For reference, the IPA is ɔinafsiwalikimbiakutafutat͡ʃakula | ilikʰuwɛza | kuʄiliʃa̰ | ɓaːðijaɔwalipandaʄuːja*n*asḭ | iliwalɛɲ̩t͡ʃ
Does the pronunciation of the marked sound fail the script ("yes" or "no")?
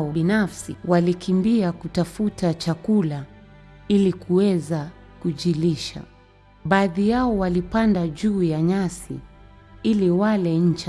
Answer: yes